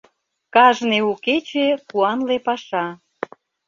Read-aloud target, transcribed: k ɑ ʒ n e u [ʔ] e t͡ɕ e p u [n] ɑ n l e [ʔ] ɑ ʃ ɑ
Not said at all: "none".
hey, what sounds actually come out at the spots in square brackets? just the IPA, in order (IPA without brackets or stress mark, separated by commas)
k, none, p